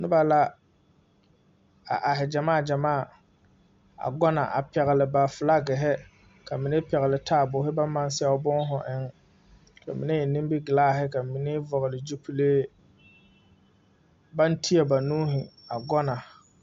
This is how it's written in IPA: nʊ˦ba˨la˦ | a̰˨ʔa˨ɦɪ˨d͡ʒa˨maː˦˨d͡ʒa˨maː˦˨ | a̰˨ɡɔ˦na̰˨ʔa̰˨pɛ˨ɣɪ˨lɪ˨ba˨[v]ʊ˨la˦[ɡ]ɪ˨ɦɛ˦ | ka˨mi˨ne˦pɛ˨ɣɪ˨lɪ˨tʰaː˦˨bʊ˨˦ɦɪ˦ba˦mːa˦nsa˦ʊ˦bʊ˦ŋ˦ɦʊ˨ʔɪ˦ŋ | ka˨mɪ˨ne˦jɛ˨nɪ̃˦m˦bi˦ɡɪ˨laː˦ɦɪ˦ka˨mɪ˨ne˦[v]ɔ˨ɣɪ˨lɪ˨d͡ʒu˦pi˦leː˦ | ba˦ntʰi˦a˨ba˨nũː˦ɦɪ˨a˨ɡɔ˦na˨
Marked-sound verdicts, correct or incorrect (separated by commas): incorrect, correct, correct